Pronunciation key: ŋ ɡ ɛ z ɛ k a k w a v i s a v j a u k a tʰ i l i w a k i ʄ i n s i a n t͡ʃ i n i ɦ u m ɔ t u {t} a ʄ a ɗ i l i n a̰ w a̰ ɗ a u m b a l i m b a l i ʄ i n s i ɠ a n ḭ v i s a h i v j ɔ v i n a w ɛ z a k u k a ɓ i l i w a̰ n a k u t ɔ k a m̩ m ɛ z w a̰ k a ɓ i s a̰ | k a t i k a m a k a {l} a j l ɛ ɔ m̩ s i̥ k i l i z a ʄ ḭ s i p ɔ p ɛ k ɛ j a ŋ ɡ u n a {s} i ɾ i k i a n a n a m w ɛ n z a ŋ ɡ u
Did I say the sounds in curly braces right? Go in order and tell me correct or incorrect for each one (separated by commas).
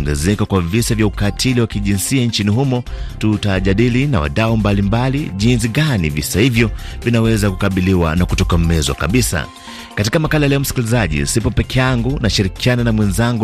correct, correct, incorrect